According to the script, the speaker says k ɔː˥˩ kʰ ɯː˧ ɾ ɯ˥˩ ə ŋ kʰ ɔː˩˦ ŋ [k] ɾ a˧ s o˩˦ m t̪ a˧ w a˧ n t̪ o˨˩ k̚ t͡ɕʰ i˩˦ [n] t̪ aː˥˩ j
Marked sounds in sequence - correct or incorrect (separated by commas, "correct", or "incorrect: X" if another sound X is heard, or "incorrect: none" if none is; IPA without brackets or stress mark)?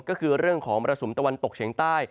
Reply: incorrect: p, incorrect: ŋ